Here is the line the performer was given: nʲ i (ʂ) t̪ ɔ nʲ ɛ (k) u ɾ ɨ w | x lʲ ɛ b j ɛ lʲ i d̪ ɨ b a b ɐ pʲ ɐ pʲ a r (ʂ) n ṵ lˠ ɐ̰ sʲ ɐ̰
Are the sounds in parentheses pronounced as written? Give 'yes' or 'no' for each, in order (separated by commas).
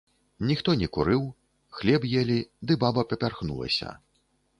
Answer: no, yes, no